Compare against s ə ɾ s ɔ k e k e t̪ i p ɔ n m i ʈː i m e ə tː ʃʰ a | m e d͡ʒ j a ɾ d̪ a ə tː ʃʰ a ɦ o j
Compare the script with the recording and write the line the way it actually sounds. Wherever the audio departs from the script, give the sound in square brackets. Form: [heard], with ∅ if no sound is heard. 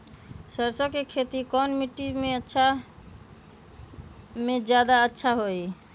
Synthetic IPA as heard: s ə ɾ s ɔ k e [kʰ] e t̪ i [k] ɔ n m i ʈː i m e ə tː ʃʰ a | m e d͡ʒ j a [∅] d̪ a ə tː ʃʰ a ɦ o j